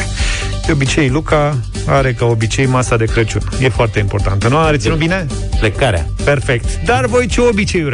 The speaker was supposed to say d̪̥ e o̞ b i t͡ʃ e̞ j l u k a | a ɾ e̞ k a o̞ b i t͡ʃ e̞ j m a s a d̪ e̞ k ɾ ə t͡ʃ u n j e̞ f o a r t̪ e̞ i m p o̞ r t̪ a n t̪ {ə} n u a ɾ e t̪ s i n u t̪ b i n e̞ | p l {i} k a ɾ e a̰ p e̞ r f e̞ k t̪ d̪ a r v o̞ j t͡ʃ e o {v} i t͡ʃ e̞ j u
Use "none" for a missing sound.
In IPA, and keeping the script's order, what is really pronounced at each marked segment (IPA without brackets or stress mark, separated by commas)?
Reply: ə, e, b